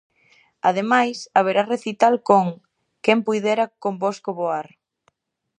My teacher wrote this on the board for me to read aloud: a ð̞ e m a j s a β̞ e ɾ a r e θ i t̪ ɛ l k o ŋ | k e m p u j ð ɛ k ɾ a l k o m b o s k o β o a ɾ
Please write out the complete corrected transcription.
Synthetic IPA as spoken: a ð̞ e m a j s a β̞ e ɾ a r e θ i t̪ a l k o ŋ | k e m p u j ð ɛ ɾ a k o m b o s k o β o a ɾ